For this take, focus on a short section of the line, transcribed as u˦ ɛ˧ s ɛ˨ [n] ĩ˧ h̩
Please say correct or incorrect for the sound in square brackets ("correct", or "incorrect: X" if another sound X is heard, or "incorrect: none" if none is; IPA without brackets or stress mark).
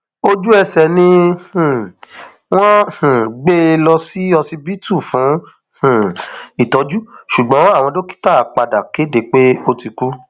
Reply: correct